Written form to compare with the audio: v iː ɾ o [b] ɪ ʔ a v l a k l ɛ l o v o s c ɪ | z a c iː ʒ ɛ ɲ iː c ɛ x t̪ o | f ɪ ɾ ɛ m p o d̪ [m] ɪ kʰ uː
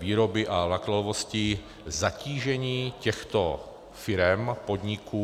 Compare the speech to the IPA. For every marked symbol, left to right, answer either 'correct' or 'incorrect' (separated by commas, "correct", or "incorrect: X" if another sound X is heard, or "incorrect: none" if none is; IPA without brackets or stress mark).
correct, incorrect: ɲ